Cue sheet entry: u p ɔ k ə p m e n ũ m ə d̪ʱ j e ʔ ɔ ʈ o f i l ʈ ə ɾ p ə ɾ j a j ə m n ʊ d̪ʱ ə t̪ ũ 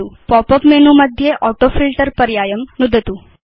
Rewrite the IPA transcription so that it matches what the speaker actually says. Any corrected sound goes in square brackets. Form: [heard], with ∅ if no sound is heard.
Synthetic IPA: u p ɔ [p] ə p m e n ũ m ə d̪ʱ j e ʔ ɔ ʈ o f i l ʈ ə ɾ p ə ɾ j a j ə m n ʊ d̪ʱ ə t̪ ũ